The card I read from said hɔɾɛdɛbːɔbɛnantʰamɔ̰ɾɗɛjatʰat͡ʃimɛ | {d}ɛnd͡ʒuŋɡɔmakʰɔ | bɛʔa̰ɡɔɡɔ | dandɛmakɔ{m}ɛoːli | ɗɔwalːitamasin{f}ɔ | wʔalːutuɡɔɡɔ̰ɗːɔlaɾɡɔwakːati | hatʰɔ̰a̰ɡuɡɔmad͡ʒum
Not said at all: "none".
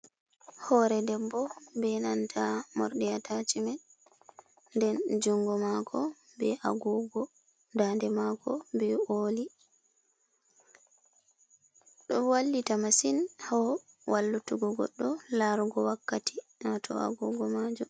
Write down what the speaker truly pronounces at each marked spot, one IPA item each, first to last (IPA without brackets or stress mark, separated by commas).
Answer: d, b, h